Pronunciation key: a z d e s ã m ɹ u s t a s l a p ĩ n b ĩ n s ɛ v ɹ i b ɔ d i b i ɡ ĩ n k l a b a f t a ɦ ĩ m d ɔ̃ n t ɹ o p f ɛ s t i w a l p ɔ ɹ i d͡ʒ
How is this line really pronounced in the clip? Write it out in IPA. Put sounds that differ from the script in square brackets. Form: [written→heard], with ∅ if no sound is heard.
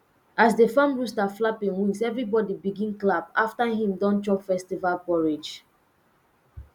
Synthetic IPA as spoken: a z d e [s→f] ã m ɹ u s t a [s→f] l a p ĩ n [b→w] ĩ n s ɛ v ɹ i b ɔ d i b i ɡ ĩ n k l a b a f t a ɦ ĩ m d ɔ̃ n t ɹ [o→ɔ] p f ɛ s t i [w→v] a l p ɔ ɹ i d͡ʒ